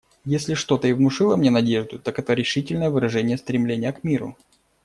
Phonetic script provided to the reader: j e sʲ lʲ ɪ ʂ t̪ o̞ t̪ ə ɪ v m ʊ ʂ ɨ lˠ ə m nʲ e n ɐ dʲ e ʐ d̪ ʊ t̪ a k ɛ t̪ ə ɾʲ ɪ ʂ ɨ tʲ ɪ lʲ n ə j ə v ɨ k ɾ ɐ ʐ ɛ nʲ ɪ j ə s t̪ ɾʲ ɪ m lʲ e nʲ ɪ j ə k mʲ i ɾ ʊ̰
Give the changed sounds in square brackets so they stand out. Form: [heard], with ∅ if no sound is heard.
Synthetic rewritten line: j e sʲ lʲ ɪ ʂ t̪ o̞ t̪ ə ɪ v m ʊ ʂ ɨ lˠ ə m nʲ e n ɐ dʲ e ʐ d̪ ʊ t̪ a k ɛ t̪ ə ɾʲ ɪ ʂ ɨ tʲ ɪ lʲ n ə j ə v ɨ [∅] ɾ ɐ ʐ ɛ nʲ ɪ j ə s t̪ ɾʲ ɪ m lʲ e nʲ ɪ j ə k mʲ i ɾ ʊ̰